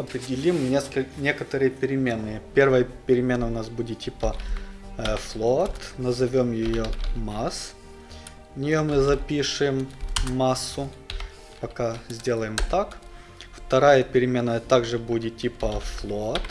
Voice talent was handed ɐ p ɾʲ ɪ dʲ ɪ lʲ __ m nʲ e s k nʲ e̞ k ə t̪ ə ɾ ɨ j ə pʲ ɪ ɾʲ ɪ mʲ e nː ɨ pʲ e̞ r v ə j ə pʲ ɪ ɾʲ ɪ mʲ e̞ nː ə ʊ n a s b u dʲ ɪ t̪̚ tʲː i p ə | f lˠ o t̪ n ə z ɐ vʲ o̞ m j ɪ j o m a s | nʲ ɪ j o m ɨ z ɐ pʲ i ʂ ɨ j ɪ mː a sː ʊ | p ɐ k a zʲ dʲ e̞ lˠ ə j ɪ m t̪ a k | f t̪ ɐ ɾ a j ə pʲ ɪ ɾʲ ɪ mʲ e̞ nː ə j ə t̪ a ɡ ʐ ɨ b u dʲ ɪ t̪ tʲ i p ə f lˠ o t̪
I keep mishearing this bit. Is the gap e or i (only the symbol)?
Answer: i